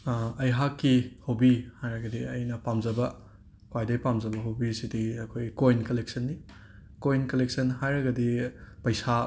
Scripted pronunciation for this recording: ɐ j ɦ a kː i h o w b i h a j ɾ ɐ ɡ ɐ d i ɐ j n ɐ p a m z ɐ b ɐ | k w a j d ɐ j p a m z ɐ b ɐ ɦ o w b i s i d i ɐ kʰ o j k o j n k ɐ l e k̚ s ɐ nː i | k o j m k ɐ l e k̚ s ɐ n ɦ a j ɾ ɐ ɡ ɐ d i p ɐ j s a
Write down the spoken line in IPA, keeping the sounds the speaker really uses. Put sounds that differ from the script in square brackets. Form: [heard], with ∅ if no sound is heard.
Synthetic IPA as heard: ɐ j ɦ a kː i h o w b i h a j ɾ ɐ ɡ ɐ d i ɐ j n ɐ p a m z ɐ b ɐ | k w a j d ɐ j p a m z ɐ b ɐ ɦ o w b i s i d i ɐ kʰ o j k o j n k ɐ l e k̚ s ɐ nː i | k o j [n] k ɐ l e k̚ s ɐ n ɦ a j ɾ ɐ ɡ ɐ d i p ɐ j s a